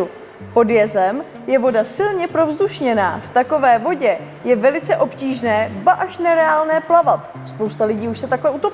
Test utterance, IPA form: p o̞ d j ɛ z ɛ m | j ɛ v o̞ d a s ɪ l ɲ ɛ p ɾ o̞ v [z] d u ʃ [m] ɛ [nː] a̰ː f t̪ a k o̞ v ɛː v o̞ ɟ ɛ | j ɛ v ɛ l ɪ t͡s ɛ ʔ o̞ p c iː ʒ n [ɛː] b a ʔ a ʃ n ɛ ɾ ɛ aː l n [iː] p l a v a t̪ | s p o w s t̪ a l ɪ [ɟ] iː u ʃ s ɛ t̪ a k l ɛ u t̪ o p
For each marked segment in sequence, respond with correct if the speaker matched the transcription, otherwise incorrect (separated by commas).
correct, incorrect, incorrect, correct, incorrect, correct